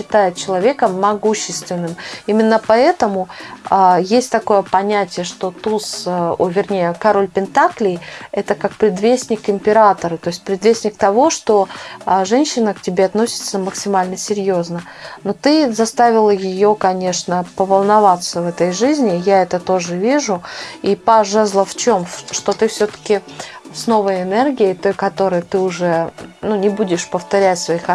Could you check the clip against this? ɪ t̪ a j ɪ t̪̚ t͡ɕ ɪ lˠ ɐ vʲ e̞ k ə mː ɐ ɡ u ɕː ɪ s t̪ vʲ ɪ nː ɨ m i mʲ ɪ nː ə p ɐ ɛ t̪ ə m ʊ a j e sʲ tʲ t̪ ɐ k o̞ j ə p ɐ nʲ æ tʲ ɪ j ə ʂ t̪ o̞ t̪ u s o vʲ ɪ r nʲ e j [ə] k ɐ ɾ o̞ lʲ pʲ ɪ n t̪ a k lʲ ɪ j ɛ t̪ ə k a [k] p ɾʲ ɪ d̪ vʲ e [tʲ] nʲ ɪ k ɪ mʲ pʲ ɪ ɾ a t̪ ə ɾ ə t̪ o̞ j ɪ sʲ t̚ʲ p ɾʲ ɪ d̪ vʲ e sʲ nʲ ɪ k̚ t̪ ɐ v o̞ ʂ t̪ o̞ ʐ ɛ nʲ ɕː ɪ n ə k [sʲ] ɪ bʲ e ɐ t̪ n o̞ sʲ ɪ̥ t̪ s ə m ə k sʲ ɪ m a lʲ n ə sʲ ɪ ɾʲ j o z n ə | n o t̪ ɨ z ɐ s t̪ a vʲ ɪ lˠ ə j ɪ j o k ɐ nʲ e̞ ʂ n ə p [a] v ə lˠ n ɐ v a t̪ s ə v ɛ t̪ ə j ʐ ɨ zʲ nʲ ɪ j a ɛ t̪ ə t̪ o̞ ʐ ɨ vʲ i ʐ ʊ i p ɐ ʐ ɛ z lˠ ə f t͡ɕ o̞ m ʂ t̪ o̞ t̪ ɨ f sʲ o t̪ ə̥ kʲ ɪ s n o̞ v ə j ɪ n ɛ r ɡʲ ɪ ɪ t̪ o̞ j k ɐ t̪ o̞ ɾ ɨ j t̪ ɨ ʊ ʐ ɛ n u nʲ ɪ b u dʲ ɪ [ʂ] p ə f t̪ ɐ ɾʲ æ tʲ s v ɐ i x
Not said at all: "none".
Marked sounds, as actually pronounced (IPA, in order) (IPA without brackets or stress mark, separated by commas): ə, k, sʲ, tʲ, ə, ʂ